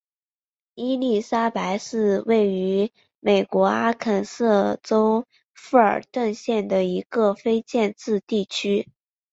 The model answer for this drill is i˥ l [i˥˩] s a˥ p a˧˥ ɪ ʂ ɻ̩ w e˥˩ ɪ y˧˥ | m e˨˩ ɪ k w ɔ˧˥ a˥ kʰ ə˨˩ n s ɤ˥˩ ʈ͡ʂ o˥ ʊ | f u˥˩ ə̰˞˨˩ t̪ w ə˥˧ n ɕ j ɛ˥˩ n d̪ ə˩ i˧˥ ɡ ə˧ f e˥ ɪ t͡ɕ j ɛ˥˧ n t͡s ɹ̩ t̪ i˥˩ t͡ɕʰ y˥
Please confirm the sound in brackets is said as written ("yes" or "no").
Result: yes